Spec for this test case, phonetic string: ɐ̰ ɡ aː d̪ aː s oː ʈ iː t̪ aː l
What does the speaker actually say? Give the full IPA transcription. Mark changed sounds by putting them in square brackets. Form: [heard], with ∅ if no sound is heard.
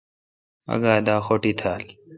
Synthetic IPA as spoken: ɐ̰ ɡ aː d̪ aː [x] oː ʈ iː [t̪ʰ] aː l